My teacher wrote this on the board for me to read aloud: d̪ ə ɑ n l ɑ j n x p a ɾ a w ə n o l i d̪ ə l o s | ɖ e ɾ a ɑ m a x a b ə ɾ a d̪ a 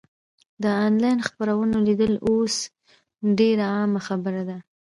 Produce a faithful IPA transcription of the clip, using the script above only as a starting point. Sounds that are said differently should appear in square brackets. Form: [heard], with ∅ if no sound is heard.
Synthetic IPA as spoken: d̪ ə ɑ n l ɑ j n x p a ɾ a w ə n o l i d̪ ə l o s | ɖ e ɾ a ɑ m a x a b ə ɾ a d̪ a